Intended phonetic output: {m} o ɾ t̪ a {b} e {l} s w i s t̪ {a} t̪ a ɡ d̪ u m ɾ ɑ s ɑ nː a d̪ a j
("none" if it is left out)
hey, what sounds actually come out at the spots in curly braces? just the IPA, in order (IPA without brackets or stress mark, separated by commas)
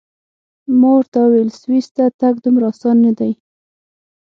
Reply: m, w, l, a